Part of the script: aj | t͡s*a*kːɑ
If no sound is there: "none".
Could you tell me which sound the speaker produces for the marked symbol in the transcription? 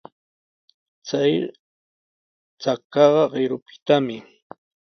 a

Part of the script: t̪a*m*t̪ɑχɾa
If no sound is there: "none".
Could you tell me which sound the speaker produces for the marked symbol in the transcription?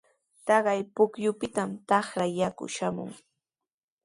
m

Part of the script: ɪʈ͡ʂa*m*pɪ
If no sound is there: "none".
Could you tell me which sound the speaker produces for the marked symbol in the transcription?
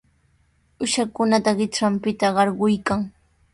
m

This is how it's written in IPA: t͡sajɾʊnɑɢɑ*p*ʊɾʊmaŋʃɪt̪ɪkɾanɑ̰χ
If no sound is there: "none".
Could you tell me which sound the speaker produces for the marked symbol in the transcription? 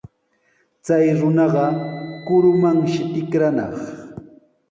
k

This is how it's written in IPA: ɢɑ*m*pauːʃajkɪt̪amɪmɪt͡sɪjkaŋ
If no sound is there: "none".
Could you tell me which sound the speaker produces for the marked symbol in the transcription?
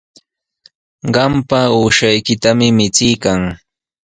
m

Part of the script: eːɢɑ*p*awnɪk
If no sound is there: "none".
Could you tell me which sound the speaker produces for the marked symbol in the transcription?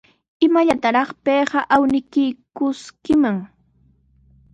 ʔ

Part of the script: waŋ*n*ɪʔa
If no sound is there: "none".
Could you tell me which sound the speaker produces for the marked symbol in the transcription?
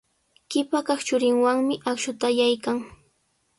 m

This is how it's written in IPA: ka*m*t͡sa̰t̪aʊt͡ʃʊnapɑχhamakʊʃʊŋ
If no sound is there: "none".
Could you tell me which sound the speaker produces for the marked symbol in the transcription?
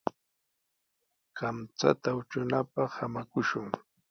m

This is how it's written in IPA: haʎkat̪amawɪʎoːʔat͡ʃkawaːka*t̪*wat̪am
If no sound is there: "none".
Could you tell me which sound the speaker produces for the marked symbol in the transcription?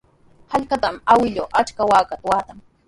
t̪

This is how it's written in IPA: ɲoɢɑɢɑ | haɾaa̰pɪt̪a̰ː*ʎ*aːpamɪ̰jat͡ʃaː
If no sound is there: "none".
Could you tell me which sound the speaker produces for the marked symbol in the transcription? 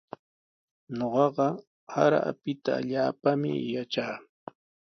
ʎ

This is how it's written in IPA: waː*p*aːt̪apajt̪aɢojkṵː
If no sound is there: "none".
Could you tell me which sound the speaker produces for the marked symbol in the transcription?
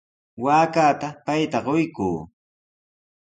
k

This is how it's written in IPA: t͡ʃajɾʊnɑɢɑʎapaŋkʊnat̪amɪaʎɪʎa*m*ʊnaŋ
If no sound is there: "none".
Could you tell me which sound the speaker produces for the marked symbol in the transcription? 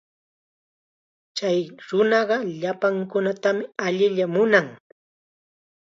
m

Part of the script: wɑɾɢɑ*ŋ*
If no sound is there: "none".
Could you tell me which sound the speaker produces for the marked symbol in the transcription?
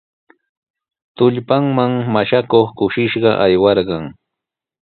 ŋ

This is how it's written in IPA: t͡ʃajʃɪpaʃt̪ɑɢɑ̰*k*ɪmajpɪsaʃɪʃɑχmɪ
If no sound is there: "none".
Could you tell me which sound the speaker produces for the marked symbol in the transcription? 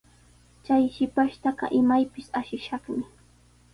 ʔ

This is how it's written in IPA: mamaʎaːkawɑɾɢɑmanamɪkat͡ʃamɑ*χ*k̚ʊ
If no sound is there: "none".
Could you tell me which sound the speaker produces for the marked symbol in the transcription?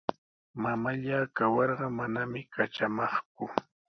χ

